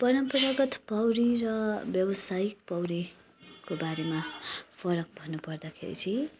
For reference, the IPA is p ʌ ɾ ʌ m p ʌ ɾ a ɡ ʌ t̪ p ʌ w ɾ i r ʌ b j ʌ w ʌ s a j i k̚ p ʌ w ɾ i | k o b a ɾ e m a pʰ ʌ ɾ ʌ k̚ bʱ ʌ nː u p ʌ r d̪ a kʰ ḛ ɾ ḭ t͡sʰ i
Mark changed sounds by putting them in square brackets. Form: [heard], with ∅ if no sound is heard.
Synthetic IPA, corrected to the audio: p ʌ ɾ ʌ m p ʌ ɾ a ɡ ʌ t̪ p ʌ w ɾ i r ʌ b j ʌ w ʌ s a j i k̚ p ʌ w ɾ i | k o b a ɾ e m a pʰ ʌ ɾ ʌ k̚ bʱ ʌ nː u p ʌ r d̪ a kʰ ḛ ɾ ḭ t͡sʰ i